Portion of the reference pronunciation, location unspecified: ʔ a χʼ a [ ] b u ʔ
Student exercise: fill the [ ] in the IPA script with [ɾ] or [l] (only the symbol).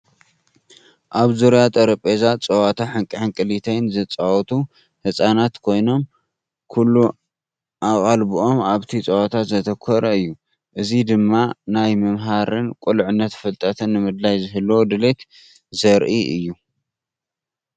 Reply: l